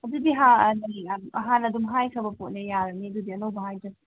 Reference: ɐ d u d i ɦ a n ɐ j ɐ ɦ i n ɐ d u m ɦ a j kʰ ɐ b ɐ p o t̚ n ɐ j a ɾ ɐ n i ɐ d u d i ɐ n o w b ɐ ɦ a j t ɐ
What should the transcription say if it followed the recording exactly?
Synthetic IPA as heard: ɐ d u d i ɦ a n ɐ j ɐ ɦ a n ɐ d u m ɦ a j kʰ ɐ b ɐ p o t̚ n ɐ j a ɾ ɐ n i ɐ d u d i ɐ n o w b ɐ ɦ a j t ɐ

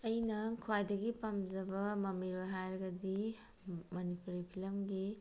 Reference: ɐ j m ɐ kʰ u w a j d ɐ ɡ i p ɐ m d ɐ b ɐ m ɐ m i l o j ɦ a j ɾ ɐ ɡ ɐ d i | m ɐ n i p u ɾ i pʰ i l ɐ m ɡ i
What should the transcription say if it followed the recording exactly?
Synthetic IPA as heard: ɐ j n ɐ kʰ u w a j d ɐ ɡ i p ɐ m d͡ʒ ɐ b ɐ m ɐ m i ɾ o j ɦ a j ɾ ɐ ɡ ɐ d i | m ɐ n i p u ɾ i pʰ i l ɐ m ɡ i

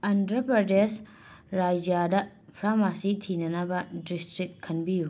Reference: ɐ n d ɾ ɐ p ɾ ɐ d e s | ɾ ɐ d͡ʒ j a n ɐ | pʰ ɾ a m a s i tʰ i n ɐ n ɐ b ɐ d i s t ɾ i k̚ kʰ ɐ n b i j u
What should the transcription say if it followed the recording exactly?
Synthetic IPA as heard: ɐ n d ɾ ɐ p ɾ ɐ d e s | ɾ a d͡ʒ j a d ɐ | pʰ ɾ a m a s i tʰ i n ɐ n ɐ b ɐ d i s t ɾ i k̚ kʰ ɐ n b i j u

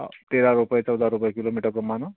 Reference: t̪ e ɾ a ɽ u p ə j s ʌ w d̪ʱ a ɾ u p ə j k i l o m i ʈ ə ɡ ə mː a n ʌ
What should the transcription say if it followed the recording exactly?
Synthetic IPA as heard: t̪ e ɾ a ɾ u p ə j t͡s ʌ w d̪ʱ a ɾ u p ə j k i l o m i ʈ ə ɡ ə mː a n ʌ

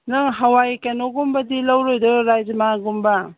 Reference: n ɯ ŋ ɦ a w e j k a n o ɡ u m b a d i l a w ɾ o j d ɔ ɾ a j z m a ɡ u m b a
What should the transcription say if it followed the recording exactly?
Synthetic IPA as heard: n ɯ ŋ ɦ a w a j k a n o ɡ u m b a d i l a w ɾ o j d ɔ ɾ a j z m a ɡ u m b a

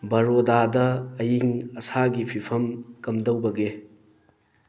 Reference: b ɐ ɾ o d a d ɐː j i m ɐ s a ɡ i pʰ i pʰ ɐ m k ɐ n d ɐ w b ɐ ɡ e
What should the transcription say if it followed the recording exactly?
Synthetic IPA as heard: b ɐ ɾ o d a d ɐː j i ŋ ɐ s a ɡ i pʰ i pʰ ɐ m k ɐ m d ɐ w b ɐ ɡ e

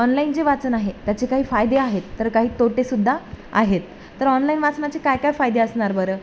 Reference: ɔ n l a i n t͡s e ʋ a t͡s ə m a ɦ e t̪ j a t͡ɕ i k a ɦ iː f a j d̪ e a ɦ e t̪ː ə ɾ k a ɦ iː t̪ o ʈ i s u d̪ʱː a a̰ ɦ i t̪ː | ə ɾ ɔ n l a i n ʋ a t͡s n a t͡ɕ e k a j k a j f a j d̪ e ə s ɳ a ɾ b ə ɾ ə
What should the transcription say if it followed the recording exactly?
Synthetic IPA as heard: ɔ n l a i n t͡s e ʋ a t͡s ə n a ɦ e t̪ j a t͡ɕ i k a ɦ iː f a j d̪ e a ɦ e t̪ː ə ɾ k a ɦ iː t̪ o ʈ e s u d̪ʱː a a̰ ɦ e t̪ː | ə ɾ ɔ n l a i n ʋ a t͡s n a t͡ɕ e k a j k a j f a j d̪ e ə s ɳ a ɾ b ə ɾ ə

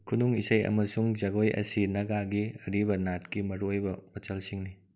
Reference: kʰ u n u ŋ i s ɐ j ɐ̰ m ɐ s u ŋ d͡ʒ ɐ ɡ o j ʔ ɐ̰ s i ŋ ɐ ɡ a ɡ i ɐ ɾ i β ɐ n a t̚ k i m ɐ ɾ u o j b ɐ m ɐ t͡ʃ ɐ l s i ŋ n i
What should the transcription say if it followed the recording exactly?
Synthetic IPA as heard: kʰ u n u ŋ i s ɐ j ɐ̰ m ɐ s u ŋ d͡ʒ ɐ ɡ o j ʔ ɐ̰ s i n ɐ ɡ a ɡ i ɐ ɾ i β ɐ n a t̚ k i m ɐ ɾ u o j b ɐ m ɐ t͡ʃ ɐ l s i ŋ n i

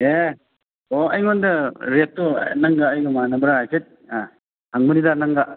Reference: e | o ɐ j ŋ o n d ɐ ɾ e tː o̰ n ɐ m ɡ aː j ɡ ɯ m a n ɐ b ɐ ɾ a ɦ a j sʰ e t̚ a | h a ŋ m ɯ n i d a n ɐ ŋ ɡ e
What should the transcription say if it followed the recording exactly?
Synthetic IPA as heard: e | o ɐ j ŋ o n d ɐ ɾ e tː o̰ n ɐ ŋ ɡ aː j ɡ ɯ m a n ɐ b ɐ ɾ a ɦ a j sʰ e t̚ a | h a ŋ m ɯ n i d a n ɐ ŋ ɡ a

